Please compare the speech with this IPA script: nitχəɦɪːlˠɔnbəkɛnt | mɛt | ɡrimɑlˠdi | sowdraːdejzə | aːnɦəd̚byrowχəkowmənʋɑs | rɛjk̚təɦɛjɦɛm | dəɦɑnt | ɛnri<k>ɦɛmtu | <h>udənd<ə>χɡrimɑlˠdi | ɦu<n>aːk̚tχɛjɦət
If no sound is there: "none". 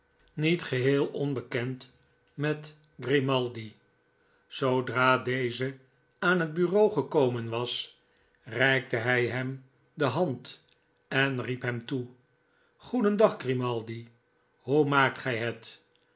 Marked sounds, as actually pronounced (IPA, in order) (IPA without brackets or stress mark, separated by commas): p, χ, ɑ, m